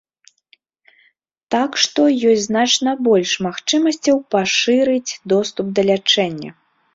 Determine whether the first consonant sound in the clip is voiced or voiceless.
voiceless